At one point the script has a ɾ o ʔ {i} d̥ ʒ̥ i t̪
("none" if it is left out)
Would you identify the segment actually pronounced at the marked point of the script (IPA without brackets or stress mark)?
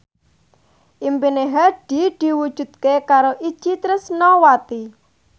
i